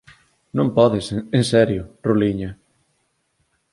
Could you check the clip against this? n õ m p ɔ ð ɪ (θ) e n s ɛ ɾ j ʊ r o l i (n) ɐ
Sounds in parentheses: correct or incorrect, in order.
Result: incorrect: s, incorrect: ɲ

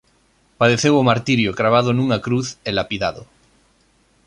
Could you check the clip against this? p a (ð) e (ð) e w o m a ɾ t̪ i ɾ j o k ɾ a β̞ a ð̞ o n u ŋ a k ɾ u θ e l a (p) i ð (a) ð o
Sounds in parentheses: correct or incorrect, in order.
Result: correct, incorrect: θ, correct, correct

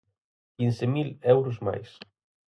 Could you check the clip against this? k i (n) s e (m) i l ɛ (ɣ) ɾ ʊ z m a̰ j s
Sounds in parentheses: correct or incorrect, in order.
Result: correct, correct, incorrect: w

